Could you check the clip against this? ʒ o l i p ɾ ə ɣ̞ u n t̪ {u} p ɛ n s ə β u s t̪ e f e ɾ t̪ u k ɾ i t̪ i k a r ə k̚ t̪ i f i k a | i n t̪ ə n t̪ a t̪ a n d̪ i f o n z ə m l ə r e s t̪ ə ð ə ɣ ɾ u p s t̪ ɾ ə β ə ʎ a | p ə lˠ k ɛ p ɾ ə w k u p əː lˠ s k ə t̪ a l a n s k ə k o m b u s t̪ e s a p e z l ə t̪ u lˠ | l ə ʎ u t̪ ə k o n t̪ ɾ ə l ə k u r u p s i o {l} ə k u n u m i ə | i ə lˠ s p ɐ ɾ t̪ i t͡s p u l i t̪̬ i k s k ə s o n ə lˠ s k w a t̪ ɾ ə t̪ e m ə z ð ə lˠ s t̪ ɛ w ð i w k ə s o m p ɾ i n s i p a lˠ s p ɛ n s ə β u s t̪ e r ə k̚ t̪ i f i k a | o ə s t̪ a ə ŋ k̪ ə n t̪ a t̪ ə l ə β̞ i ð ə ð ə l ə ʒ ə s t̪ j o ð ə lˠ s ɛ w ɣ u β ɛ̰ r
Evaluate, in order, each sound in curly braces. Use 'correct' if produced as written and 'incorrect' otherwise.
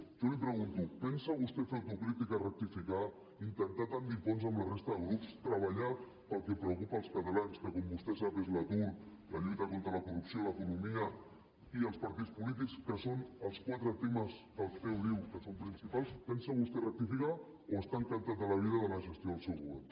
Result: correct, correct

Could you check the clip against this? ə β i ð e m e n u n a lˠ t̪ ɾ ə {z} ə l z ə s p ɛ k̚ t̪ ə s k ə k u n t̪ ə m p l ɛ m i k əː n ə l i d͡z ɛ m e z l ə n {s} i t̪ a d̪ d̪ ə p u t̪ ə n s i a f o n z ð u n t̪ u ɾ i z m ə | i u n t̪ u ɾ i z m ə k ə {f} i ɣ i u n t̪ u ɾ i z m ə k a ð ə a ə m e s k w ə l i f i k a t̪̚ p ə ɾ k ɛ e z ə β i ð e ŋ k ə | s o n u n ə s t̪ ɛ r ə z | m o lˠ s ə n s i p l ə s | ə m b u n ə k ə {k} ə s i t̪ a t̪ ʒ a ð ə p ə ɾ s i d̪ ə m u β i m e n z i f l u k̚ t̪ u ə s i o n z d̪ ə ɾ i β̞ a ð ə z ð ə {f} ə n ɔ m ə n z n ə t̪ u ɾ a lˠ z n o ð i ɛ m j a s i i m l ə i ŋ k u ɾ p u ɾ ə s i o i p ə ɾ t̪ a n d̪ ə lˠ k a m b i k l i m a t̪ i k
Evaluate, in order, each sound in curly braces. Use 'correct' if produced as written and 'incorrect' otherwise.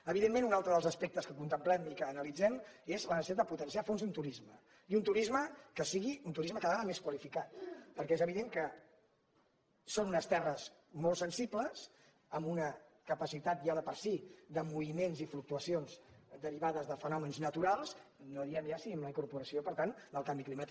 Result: incorrect, correct, incorrect, incorrect, correct

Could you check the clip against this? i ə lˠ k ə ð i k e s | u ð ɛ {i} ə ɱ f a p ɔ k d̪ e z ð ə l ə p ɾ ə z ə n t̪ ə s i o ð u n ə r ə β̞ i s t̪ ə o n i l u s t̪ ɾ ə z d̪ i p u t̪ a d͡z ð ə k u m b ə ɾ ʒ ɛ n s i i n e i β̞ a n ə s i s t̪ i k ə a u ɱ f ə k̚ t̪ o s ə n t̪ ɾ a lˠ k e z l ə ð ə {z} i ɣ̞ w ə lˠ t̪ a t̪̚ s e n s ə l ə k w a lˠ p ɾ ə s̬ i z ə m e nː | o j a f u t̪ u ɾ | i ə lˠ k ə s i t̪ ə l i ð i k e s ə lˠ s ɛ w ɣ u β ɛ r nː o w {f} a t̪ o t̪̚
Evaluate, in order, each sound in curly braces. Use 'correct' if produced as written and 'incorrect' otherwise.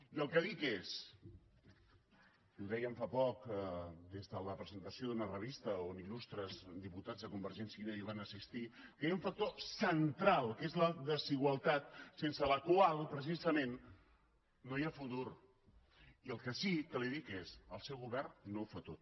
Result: incorrect, correct, correct

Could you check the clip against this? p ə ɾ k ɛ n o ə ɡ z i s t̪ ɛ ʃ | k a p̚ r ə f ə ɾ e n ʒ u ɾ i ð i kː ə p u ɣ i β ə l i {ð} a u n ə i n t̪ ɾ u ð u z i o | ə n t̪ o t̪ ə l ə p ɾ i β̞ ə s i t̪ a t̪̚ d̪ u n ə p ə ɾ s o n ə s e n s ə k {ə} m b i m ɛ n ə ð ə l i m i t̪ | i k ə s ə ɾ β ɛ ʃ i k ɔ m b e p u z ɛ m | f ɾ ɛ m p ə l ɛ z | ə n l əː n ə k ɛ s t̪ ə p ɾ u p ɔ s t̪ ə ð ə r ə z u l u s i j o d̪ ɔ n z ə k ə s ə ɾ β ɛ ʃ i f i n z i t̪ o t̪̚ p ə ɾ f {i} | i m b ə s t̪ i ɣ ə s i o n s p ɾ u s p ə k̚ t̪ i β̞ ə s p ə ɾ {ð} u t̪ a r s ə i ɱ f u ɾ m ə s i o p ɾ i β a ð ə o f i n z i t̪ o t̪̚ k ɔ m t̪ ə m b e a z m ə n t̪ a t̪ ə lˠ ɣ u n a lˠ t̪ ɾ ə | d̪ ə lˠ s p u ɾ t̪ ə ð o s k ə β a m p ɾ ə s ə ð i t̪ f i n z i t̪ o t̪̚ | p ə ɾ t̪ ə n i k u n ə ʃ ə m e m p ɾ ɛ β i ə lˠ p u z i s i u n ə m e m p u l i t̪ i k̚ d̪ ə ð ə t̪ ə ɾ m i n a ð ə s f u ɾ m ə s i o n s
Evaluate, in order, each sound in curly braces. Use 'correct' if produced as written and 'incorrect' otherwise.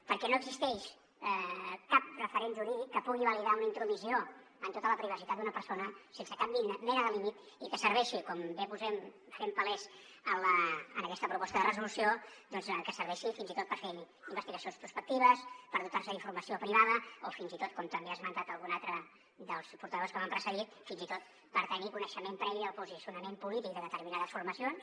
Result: correct, incorrect, incorrect, correct

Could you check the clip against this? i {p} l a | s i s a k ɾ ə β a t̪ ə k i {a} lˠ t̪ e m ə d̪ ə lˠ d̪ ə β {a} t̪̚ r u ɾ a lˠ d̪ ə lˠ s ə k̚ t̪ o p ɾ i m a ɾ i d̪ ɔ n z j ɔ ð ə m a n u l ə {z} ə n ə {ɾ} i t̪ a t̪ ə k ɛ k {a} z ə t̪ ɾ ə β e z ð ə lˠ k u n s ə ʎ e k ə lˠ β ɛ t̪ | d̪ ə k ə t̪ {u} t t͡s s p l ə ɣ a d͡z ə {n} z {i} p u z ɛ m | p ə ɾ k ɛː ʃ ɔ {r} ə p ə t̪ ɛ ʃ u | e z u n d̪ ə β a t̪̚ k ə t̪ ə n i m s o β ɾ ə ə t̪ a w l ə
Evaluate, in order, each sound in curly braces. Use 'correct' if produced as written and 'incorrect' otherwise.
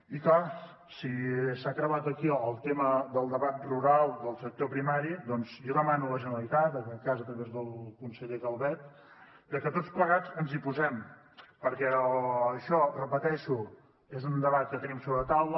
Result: incorrect, incorrect, correct, incorrect, incorrect, correct, incorrect, correct, correct, correct

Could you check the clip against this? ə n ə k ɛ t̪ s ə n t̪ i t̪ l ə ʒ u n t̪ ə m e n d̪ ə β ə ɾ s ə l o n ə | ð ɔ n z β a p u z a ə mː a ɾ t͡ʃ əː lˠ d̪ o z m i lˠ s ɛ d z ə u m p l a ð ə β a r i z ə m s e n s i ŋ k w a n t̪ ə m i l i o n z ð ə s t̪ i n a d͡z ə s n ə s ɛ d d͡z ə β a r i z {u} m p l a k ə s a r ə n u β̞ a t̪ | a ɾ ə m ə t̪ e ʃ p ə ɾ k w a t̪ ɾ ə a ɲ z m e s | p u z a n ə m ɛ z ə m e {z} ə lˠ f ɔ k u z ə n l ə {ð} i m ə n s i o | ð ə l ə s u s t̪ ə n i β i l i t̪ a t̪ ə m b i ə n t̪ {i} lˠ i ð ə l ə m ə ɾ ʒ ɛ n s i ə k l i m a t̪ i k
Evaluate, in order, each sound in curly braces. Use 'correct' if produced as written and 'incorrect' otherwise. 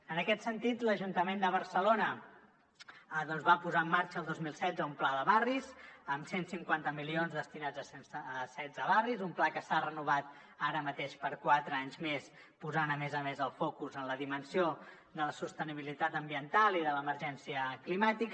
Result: correct, correct, correct, incorrect

